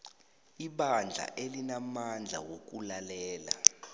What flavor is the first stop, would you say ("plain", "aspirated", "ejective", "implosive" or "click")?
implosive